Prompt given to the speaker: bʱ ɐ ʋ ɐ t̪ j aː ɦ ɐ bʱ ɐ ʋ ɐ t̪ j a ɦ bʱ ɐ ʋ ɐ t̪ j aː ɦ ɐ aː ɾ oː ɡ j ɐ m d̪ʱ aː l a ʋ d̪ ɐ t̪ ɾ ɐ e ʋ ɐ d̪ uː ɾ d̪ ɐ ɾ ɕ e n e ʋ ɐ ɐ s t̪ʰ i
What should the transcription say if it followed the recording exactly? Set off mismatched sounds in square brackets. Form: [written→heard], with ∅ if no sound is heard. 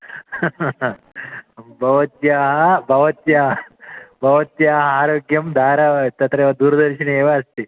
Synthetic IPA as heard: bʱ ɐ ʋ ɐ t̪ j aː ɦ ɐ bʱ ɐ ʋ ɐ t̪ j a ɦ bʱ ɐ ʋ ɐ t̪ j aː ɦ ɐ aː ɾ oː ɡ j ɐ m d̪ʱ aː [l→ɾ] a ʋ [d̪→t̪] ɐ t̪ ɾ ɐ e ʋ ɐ d̪ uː ɾ d̪ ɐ ɾ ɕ [e→i] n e ʋ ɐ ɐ s [t̪ʰ→t̪] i